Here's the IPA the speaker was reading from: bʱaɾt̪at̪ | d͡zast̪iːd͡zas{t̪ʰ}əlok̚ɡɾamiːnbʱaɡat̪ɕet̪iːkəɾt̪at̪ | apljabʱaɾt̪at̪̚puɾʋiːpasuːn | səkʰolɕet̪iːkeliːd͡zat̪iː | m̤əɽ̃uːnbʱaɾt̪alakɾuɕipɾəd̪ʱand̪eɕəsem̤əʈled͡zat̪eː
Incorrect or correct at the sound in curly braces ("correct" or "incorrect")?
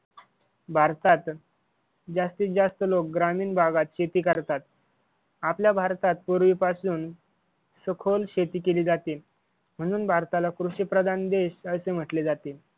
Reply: incorrect